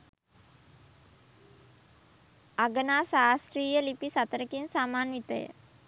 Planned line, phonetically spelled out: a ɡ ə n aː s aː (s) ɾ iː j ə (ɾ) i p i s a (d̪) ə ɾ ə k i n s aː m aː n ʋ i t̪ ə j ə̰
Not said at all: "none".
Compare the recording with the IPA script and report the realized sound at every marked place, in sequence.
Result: s, l, t̪

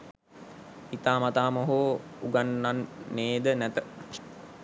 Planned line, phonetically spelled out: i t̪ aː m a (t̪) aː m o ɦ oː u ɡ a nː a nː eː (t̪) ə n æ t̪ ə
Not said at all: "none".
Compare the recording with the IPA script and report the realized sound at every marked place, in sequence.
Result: t̪, d̪

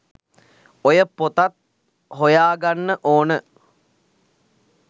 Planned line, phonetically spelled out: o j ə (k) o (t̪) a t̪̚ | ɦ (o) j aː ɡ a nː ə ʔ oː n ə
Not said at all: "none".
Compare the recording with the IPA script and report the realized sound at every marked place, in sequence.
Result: p, t̪, o

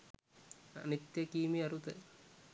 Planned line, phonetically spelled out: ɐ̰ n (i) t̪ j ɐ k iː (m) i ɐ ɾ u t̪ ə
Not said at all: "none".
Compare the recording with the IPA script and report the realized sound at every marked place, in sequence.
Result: i, m

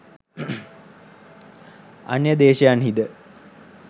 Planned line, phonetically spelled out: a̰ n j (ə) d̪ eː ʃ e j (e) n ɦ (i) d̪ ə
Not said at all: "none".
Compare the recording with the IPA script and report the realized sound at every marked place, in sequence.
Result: ə, a, i

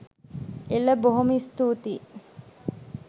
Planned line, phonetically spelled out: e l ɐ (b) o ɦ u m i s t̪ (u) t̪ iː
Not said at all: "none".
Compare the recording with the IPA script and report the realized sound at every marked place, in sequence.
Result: b, uː

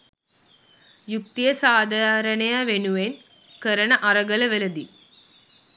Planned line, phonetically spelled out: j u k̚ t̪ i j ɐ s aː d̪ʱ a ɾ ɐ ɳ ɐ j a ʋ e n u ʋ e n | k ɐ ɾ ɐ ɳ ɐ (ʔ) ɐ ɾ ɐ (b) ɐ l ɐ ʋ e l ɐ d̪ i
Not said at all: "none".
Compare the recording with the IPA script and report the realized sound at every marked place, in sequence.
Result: ʔ, ɡ

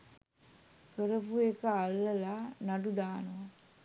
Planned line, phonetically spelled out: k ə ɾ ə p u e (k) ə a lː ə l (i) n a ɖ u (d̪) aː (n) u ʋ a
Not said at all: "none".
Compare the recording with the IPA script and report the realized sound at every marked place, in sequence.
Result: k, a, d̪, n

